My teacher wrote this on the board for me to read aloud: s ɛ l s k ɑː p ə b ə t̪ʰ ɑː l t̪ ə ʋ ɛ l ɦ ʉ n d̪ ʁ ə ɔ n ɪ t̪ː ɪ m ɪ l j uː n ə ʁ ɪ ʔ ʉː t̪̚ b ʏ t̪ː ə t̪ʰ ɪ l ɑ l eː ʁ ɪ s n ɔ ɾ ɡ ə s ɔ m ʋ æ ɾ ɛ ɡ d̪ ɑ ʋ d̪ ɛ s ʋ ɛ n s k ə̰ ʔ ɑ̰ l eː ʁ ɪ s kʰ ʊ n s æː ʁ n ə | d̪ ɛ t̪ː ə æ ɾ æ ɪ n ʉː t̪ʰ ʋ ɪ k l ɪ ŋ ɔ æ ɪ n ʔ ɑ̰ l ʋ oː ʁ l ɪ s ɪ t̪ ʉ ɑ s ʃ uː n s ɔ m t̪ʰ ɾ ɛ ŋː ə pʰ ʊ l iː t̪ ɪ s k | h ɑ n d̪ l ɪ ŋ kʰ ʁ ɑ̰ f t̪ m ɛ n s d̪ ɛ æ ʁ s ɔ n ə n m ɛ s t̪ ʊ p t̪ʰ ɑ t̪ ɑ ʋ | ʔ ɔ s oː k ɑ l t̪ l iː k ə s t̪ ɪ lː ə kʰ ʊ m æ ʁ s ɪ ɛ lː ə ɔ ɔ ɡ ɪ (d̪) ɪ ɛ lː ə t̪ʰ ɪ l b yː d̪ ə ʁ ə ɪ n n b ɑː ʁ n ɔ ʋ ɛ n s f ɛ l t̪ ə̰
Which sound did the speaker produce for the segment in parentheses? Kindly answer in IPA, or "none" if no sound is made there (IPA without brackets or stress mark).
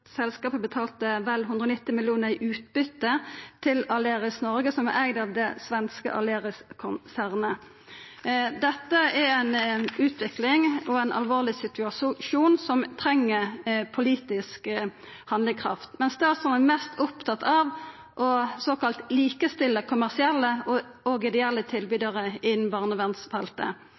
d̪